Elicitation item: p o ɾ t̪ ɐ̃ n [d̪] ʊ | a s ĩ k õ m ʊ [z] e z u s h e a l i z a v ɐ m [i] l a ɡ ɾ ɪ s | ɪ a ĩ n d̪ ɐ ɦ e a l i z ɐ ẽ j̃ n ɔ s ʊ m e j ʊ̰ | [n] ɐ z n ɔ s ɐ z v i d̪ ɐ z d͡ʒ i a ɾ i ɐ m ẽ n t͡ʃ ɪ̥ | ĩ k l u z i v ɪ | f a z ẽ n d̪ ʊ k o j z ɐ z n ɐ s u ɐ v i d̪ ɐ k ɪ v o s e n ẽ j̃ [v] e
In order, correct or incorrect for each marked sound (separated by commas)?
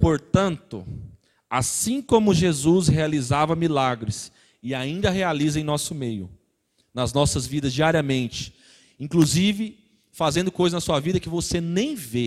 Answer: incorrect, incorrect, correct, correct, correct